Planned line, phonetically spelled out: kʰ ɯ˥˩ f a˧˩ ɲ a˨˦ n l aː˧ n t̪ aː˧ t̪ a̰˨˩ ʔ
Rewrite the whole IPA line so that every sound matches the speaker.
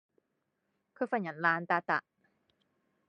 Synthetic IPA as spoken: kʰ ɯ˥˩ f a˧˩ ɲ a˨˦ n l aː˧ n t̪ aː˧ t̪ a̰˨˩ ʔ